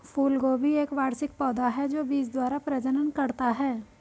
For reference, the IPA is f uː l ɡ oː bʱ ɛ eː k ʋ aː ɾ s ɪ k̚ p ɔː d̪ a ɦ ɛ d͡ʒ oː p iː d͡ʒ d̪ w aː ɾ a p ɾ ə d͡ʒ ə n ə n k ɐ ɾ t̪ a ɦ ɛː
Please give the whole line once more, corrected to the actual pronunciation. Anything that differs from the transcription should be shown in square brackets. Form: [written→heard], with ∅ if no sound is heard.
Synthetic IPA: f uː l ɡ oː bʱ [ɛ→i] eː k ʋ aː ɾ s ɪ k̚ p ɔː d̪ a ɦ ɛ d͡ʒ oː [p→b] iː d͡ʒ d̪ w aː ɾ a p ɾ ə d͡ʒ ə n ə n k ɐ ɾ t̪ a ɦ ɛː